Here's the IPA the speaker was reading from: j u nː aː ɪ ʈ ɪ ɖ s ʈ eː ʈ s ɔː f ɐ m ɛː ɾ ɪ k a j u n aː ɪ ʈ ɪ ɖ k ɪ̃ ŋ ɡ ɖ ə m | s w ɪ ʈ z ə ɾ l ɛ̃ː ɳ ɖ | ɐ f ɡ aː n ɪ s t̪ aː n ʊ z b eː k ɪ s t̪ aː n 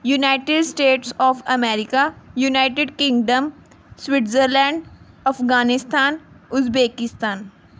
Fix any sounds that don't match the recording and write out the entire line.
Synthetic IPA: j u n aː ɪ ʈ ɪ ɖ s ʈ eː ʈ s ɔː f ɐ m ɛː ɾ ɪ k a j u n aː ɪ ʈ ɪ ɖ k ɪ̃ ŋ ɡ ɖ ə m | s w ɪ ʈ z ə ɾ l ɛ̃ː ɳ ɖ | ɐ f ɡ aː n ɪ s t̪ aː n ʊ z b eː k ɪ s t̪ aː n